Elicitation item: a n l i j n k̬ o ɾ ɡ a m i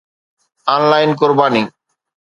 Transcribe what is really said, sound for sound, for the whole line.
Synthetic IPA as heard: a n l a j n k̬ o ɾ b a n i

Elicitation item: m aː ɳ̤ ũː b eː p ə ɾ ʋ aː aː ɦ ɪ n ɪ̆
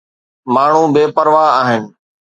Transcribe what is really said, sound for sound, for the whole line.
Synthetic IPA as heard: m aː ɳ̤ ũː b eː p ə ɾ ʋ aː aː ɦ ɪ n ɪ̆

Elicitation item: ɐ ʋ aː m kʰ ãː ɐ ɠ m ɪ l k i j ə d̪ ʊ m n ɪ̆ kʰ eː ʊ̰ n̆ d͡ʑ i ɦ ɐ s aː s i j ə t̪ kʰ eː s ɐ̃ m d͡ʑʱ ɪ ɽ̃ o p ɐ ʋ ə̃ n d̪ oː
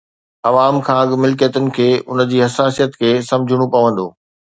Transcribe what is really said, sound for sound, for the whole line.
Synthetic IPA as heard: ɐ ʋ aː m kʰ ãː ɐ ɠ m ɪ l k i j ə t̪ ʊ n ɪ̆ kʰ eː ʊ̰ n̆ d͡ʑ iː ɦ ɐ s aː s i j ə t̪ kʰ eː s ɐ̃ m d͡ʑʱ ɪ ɽ̃ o p ɐ ʋ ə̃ n d̪ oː

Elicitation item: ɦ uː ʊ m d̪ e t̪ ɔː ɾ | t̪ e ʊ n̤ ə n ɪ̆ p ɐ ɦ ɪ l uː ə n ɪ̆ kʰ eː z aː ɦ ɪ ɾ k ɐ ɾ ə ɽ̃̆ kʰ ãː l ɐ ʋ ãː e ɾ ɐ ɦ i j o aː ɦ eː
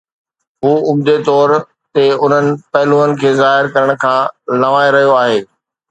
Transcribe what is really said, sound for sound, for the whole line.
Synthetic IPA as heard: ɦ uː ʊ m d̪ e t̪ ɔː ɾ | t̪ e ʊ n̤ ə n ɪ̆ p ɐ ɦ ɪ l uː ə n ɪ̆ kʰ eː z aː ɦ ɪ ɾ k ɐ ɾ ə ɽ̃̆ kʰ ãː l ɐ ʋ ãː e ɾ ɐ ɦ i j o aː ɦ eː

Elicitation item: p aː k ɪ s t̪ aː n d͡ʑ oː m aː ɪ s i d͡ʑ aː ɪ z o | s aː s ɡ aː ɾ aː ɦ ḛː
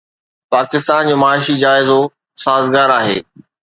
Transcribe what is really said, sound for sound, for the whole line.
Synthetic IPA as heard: p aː k ɪ s t̪ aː n d͡ʑ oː m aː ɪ ʃ i d͡ʑ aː ɪ z o | s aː z ɡ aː ɾ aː ɦ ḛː

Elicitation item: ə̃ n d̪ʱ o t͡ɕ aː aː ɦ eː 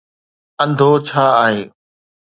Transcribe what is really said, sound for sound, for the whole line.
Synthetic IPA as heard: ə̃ n d̪ʱ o t͡ɕʰ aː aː ɦ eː

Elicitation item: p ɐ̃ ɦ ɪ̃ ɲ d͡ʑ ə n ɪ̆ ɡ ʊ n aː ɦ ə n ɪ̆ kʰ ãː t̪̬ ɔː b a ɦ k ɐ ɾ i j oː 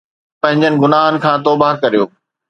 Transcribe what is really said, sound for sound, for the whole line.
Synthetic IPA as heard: p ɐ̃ ɦ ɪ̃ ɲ d͡ʑ ə n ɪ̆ ɡ ʊ n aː ɦ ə n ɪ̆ kʰ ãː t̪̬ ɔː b a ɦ k ɐ ɾ i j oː

